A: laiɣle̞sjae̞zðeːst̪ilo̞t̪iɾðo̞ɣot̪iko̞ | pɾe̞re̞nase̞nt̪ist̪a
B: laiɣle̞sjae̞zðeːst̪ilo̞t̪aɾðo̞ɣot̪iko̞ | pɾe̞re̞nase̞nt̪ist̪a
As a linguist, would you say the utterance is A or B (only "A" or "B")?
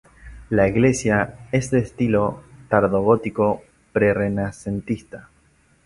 B